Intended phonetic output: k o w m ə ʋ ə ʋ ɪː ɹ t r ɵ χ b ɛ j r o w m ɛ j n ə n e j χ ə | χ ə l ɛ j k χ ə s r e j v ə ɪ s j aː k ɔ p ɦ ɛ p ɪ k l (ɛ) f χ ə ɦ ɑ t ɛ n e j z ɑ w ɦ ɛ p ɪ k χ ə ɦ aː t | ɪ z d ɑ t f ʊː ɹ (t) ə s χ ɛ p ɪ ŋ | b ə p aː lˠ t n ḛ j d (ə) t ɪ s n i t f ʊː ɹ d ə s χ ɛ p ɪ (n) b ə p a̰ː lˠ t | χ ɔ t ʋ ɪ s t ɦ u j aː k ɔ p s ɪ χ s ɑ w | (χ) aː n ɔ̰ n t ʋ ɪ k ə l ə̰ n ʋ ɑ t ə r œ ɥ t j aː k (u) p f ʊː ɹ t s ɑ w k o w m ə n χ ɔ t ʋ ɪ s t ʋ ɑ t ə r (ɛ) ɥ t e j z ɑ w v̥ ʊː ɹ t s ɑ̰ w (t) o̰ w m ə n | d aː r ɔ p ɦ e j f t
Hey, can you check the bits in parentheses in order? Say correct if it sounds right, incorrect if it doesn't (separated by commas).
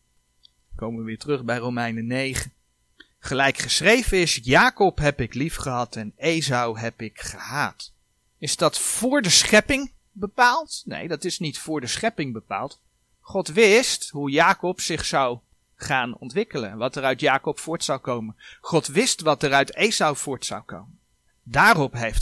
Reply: incorrect, incorrect, incorrect, incorrect, correct, incorrect, incorrect, incorrect